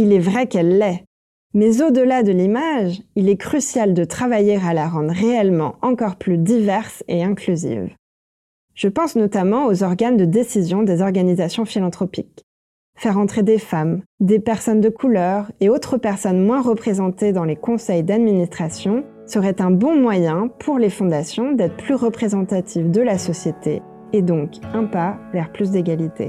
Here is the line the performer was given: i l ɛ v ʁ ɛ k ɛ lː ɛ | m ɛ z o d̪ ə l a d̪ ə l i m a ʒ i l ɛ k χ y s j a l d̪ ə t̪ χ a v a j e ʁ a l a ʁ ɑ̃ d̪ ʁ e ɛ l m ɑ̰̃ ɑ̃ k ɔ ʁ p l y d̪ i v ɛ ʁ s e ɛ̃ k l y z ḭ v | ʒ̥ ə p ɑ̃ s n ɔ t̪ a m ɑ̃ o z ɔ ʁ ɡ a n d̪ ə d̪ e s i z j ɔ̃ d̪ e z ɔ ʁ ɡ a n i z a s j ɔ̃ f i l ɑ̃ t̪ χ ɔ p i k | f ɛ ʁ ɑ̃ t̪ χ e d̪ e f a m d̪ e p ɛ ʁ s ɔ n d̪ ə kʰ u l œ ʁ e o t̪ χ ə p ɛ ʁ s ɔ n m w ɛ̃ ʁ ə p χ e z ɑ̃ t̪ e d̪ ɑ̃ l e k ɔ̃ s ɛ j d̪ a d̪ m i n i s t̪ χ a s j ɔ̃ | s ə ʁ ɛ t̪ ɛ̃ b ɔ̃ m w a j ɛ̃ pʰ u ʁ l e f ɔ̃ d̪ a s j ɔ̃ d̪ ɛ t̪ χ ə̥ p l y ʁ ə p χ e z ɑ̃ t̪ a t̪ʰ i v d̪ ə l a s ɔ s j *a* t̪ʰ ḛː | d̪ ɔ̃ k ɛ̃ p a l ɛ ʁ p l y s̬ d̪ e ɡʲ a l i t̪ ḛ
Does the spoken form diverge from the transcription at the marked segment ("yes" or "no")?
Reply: yes